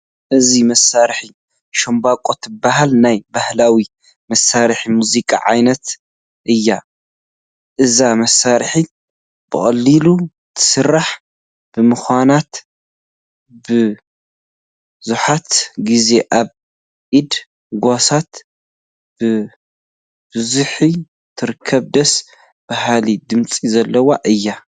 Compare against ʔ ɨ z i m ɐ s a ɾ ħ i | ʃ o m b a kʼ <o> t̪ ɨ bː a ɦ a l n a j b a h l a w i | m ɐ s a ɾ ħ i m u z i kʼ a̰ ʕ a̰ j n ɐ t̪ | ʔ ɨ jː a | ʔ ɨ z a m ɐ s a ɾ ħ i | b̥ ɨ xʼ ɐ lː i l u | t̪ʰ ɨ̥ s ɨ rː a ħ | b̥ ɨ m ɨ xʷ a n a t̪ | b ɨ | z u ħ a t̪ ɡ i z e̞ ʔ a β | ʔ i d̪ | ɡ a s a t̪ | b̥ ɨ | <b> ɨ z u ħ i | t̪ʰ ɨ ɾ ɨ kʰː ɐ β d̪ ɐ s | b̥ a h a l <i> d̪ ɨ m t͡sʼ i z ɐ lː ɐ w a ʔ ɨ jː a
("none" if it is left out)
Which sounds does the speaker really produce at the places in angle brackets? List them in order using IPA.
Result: o, b, i

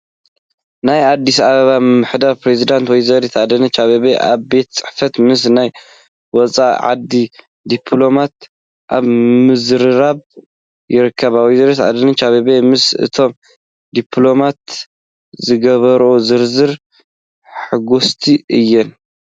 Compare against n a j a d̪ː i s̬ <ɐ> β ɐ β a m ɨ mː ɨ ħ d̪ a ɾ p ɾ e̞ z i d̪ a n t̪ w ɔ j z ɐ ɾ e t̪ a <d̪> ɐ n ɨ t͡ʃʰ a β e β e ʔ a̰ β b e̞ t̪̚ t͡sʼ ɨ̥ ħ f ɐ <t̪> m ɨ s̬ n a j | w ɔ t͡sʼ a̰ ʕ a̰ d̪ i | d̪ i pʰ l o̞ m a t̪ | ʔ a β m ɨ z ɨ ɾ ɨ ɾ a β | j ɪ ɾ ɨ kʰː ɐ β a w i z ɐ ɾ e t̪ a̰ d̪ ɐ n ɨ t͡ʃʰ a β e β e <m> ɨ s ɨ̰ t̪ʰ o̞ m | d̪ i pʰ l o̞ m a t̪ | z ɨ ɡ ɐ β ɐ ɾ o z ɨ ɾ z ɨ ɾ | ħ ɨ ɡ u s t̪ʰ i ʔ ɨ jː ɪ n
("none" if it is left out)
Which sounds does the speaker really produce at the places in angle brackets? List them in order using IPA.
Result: a, d̪, t̪, m

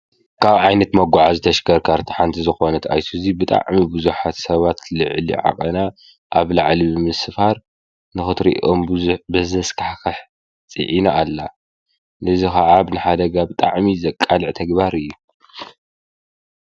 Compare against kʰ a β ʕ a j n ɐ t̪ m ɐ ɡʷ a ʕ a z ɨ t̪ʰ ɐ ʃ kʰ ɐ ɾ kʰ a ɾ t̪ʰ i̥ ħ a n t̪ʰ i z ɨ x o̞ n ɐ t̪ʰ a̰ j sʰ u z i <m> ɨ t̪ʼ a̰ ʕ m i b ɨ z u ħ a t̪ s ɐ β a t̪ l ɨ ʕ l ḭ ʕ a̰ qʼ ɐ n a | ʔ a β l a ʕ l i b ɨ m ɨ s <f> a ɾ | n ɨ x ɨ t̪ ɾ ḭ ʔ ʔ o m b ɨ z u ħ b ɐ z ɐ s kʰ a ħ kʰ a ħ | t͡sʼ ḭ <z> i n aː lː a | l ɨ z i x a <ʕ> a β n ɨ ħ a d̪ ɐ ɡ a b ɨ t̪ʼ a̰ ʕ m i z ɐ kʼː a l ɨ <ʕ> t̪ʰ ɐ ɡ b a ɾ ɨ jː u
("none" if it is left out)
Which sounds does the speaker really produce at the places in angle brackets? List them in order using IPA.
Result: b, f, ʕ, ʕ, ʕ

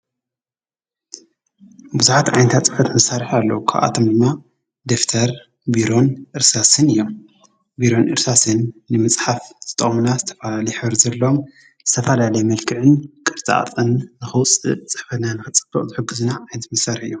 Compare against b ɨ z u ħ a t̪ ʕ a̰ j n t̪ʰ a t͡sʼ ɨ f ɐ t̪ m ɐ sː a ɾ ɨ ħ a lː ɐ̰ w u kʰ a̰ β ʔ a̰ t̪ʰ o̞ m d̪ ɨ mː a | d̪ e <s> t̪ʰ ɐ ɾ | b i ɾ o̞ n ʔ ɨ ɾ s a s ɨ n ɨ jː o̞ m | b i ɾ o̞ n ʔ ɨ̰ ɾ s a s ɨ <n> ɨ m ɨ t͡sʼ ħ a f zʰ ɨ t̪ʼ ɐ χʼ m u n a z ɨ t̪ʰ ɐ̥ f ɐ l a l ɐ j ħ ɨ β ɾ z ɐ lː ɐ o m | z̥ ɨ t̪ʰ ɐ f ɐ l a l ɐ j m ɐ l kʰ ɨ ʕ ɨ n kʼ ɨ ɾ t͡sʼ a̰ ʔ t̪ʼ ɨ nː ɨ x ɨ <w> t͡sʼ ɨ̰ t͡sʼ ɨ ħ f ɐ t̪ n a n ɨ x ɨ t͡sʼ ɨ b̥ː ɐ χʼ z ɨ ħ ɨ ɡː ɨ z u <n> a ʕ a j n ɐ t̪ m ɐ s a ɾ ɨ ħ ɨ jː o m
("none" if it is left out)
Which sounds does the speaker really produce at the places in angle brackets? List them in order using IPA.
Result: f, nː, w, n

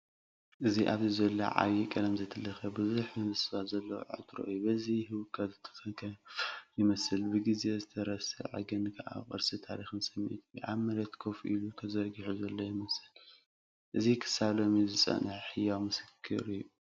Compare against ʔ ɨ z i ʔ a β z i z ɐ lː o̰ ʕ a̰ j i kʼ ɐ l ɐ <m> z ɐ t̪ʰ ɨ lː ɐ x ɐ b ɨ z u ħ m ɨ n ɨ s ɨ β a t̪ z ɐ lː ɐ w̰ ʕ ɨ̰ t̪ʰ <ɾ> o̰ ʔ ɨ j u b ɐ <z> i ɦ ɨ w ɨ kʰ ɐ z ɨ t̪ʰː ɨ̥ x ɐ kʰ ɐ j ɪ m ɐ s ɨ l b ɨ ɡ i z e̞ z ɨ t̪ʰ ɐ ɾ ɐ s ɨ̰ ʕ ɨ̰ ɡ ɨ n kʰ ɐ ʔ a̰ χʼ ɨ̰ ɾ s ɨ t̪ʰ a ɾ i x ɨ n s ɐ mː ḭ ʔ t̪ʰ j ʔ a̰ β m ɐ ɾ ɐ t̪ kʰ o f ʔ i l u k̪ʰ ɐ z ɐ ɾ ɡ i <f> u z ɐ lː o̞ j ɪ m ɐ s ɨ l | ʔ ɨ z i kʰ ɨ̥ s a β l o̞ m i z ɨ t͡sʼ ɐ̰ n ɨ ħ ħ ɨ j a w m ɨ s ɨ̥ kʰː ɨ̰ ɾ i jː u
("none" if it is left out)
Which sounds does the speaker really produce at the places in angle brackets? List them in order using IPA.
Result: m, ɾ, z, ħ

